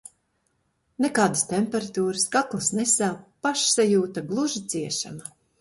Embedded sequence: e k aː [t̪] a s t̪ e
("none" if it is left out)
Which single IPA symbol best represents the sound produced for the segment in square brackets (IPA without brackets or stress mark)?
d̪